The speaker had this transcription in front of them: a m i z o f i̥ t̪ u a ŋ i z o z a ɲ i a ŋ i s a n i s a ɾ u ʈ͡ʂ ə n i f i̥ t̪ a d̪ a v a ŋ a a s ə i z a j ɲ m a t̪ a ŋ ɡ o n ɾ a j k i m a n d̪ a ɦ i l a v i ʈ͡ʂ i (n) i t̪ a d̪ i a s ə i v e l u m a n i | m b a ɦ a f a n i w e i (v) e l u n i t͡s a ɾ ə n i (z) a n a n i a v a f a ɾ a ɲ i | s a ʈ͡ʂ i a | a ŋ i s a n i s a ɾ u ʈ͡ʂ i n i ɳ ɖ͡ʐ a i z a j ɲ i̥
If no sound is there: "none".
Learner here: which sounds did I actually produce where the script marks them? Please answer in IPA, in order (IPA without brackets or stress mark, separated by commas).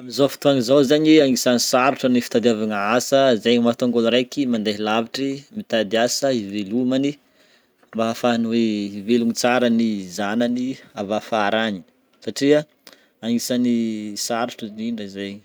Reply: m, v, z